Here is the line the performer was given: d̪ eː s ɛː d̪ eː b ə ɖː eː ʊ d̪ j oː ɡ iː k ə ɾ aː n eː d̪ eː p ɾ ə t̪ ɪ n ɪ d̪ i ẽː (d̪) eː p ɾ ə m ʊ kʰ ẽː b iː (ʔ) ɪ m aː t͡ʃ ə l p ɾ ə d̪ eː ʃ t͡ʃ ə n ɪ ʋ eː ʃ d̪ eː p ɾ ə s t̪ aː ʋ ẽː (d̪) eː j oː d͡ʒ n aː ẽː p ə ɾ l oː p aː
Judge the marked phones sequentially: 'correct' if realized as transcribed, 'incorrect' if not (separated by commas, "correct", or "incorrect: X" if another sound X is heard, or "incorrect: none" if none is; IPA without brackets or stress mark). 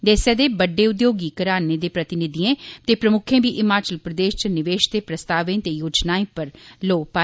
incorrect: t̪, correct, incorrect: t̪